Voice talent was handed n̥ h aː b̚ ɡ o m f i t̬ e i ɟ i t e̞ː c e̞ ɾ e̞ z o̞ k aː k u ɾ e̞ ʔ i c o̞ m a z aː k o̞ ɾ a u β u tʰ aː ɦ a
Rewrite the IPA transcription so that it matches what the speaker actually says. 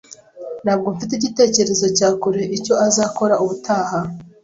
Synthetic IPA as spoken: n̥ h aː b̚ ɡ o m f i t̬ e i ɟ i t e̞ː c e̞ ɾ e̞ z o̞ c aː k u ɾ e̞ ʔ i c o̞ a z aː k o̞ ɾ a u β u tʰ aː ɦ a

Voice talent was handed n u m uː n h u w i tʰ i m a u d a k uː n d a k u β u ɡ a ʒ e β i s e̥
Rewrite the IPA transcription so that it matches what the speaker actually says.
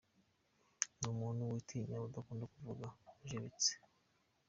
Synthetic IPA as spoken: n u m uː n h u w i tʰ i ɲ a u d a k uː n d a k u v u ɡ a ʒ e β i t͡s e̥

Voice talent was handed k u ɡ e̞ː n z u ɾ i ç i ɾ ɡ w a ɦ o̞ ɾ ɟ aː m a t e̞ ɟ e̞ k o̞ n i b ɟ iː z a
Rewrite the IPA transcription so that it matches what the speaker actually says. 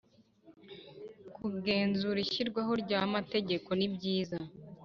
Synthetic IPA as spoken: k u ɡ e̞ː n z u ɾ i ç i ɾ ɡ w a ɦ o̞ ɾ ɟ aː m a t e̞ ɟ e̞ k o̞ n i b ɟ iː z a

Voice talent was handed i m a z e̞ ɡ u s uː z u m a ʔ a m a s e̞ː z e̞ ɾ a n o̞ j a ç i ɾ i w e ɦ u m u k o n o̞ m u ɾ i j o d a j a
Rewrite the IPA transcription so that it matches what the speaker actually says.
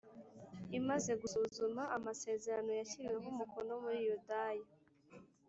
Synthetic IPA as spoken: i m a z e̞ ɡ u s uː z u m a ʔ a m a s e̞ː z e̞ ɾ a n o̞ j a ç i ɾ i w e ɦ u m u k o n o̞ m u ɾ i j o d a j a

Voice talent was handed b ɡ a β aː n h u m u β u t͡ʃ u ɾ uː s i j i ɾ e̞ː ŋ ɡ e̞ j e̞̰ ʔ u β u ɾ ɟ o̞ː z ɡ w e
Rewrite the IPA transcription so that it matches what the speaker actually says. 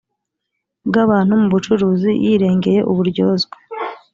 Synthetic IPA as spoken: b ɡ a β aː n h u m u β u t͡ʃ u ɾ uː z i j i ɾ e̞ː ŋ ɡ e̞ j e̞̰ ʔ u β u ɾ ɟ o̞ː z ɡ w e

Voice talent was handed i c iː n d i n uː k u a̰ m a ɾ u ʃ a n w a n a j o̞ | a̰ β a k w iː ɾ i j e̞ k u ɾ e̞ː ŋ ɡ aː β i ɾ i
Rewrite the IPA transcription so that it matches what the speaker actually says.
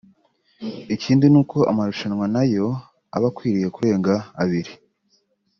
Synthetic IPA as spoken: i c iː n d i n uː k o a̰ m a ɾ u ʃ a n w a n a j o̞ | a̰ β a k w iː ɾ i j e̞ k u ɾ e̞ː ŋ ɡ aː β i ɾ i

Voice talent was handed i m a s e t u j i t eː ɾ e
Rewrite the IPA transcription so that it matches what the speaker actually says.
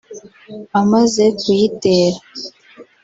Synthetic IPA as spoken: a m a z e k u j i t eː ɾ a

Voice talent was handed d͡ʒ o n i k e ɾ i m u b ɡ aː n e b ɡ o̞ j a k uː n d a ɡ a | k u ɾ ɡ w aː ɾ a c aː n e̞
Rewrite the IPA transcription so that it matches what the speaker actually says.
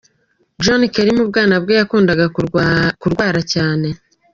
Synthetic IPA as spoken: d͡ʒ o n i k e ɾ i m u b ɡ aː n a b ɡ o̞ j a k uː n d a ɡ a | k u ɾ ɡ w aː ɾ a c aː n e̞

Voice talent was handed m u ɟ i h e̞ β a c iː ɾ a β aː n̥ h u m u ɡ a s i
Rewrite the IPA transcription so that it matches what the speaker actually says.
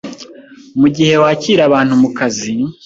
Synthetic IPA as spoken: m u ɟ i h e̞ w a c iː ɾ a β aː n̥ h u m u k a z i

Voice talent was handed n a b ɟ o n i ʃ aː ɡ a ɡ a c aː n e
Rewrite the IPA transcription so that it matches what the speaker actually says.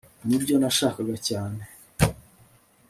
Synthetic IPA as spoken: n i b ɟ o n a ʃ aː k a ɡ a c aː n e

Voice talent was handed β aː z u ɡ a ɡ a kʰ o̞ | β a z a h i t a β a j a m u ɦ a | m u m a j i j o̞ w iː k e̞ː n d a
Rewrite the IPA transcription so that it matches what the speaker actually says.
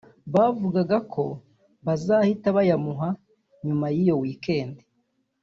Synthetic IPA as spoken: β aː v u ɡ a ɡ a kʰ o̞ | β a z a h i t a β a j a m u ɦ a | ɲ u m a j i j o̞ w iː k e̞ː n d e

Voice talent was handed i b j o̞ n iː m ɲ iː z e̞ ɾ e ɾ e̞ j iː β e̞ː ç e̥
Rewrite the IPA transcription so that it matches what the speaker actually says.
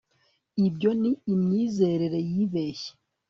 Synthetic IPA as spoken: i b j o̞ n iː m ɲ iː z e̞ ɾ e ɾ e̞ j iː β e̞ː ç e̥

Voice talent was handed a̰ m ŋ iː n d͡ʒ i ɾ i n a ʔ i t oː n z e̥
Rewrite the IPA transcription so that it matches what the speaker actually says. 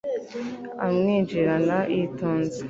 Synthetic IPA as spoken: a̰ m ŋ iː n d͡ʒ i ɾ a n a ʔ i t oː n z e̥

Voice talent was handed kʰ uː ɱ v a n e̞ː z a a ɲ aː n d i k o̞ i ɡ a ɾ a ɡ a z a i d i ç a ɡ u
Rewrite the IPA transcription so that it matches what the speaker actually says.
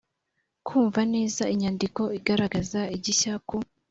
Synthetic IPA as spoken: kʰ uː ɱ v a n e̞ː z a i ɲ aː n d i k o̞ i ɡ a ɾ a ɡ a z a i ɟ i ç a k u

